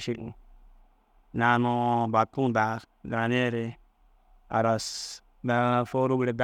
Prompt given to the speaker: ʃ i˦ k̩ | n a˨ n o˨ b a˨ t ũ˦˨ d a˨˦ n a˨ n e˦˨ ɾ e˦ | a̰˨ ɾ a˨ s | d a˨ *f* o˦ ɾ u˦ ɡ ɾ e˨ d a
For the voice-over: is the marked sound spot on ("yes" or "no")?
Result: yes